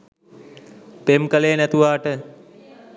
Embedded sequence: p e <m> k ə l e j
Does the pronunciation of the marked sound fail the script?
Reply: no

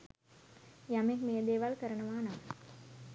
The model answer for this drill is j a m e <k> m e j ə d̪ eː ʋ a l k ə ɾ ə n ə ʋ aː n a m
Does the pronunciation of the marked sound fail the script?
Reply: no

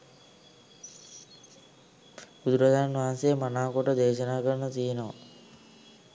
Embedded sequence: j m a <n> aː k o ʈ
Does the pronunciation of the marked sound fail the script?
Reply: no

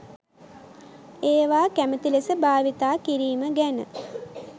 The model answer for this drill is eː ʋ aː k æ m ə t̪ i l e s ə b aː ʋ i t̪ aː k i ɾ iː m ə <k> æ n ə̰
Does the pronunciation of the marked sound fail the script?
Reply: yes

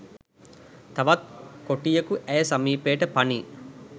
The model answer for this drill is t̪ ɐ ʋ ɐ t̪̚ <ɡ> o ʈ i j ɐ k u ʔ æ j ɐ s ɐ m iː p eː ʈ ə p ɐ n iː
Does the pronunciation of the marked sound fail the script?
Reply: yes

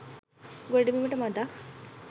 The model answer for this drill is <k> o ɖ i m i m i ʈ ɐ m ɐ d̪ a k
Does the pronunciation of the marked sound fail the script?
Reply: yes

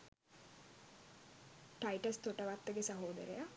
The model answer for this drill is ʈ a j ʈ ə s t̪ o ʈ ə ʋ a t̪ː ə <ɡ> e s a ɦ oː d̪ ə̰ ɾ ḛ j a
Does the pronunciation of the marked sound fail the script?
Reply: no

